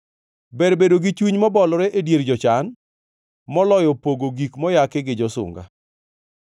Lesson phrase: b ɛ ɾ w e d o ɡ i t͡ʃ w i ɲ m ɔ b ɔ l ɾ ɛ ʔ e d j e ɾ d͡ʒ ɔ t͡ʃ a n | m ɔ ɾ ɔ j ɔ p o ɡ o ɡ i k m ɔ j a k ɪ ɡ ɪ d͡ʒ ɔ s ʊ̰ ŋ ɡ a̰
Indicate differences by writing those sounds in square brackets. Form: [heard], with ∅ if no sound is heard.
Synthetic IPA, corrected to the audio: b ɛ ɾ [b] e d o ɡ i t͡ʃ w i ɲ m ɔ b ɔ l ɾ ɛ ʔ e d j e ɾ d͡ʒ ɔ t͡ʃ a n | m ɔ [l] ɔ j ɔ p o ɡ o ɡ i k m ɔ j a k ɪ ɡ ɪ d͡ʒ ɔ s ʊ̰ ŋ ɡ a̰

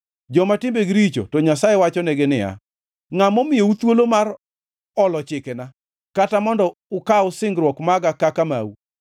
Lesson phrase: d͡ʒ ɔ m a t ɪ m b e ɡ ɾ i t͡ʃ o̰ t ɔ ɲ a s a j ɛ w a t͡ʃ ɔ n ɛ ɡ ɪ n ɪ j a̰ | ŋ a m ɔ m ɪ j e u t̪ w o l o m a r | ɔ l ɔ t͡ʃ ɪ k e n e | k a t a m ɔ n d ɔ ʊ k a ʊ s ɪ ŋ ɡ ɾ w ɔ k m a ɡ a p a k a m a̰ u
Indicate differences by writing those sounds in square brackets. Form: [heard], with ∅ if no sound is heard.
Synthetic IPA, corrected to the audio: d͡ʒ ɔ m a t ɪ m b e ɡ ɾ i t͡ʃ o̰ t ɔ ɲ a s a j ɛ w a t͡ʃ ɔ n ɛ ɡ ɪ n ɪ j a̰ | ŋ a m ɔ m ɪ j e u t̪ w o l o m a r | ɔ l ɔ t͡ʃ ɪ k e n [a] | k a t a m ɔ n d ɔ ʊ k a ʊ s ɪ ŋ ɡ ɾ w ɔ k m a ɡ a [k] a k a m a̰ u

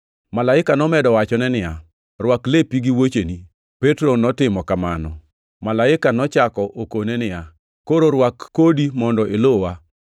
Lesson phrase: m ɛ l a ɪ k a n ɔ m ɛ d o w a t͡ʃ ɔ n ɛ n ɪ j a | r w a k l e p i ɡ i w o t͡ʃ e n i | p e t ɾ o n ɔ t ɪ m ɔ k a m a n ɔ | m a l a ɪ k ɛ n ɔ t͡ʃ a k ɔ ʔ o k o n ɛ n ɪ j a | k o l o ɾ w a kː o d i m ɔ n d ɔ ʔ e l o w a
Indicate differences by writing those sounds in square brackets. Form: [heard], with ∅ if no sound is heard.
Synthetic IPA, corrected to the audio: m [a] l a ɪ k a n ɔ m ɛ d [ɔ] w a t͡ʃ ɔ n ɛ n ɪ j a | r w a k l e p i ɡ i w o t͡ʃ e n i | p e t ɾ o n ɔ t ɪ m ɔ k a m a n ɔ | m a l a ɪ k [a] n ɔ t͡ʃ a k ɔ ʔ o k o n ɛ n ɪ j a | k o [ɾ] o ɾ w a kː o d i m ɔ n d ɔ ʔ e l o w a

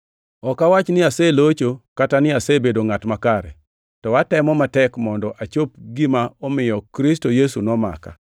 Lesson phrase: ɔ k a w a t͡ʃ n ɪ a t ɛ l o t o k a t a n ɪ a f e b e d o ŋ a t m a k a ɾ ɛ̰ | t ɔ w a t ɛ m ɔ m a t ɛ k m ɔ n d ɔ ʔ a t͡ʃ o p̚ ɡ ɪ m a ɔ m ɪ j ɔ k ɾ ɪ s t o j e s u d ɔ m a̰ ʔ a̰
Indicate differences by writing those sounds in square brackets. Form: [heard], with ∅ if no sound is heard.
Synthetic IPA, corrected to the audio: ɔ k a w a t͡ʃ n ɪ a [s] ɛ l o [t͡ʃ] o k a t a n ɪ a [s] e b e d o ŋ a t m a k a ɾ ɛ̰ | t ɔ w a t ɛ m ɔ m a t ɛ k m ɔ n d ɔ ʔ a t͡ʃ o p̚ ɡ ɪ m a ɔ m ɪ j ɔ k ɾ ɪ s t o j e s u [n] ɔ m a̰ [k] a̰

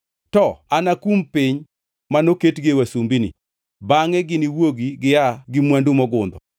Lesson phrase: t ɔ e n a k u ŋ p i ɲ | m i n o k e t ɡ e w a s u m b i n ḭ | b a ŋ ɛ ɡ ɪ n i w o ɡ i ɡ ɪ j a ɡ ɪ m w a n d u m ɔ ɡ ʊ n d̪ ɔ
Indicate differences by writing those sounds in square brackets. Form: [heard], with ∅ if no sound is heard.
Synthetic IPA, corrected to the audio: t ɔ [a] n a k u [m] p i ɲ | m [a] n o k e t ɡ e w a s u m b i n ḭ | b a ŋ ɛ ɡ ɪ n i w o ɡ i ɡ ɪ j a ɡ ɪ m w a n d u m ɔ ɡ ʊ n d̪ ɔ

